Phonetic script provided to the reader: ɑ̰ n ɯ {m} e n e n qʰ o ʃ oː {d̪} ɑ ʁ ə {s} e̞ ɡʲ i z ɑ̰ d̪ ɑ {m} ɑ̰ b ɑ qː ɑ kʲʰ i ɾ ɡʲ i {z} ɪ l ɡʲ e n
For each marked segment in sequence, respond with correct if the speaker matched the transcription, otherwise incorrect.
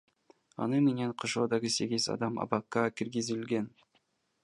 correct, correct, correct, correct, correct

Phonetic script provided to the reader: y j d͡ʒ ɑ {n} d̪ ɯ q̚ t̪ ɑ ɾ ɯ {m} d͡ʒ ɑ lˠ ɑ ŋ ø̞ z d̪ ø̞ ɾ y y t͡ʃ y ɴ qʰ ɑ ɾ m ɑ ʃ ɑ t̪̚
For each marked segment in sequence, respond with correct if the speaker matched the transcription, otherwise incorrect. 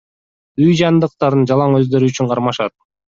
correct, incorrect

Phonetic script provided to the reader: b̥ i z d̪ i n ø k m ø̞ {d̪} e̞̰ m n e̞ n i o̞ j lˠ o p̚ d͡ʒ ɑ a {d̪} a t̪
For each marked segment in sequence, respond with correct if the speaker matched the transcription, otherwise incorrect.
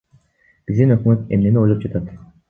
incorrect, incorrect

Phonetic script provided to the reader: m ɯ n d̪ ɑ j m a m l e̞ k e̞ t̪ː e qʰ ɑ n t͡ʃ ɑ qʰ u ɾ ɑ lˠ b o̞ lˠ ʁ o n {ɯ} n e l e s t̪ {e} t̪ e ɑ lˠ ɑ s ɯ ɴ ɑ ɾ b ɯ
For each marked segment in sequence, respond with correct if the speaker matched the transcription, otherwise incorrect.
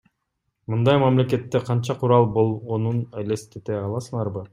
incorrect, correct

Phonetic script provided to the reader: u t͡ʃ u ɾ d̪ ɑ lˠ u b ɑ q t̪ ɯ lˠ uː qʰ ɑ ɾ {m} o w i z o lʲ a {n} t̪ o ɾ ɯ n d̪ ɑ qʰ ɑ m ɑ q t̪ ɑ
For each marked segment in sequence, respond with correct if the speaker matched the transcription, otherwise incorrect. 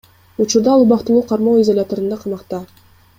correct, incorrect

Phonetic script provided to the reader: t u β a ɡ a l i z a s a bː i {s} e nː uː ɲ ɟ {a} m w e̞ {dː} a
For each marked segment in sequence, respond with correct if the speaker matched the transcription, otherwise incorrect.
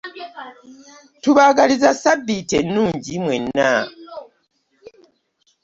incorrect, incorrect, incorrect

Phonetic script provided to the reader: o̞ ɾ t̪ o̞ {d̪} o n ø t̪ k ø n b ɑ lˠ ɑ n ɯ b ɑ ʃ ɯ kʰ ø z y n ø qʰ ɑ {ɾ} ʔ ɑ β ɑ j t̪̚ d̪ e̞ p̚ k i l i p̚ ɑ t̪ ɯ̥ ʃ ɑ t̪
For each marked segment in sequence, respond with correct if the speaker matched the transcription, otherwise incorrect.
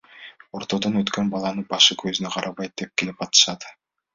correct, correct

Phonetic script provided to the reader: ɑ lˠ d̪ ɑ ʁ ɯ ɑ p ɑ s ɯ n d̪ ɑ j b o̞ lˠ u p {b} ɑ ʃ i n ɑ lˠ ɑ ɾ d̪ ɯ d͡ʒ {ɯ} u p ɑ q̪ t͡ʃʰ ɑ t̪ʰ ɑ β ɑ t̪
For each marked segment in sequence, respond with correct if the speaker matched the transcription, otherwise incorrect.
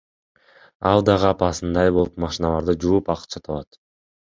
incorrect, incorrect

